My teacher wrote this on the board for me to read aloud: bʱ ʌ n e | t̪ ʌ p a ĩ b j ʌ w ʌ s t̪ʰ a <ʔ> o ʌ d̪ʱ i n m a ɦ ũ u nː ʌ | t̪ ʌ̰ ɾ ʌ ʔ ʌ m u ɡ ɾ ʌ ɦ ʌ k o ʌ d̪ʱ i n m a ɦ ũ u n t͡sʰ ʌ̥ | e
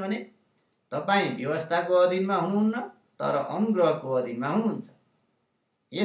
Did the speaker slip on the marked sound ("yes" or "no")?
yes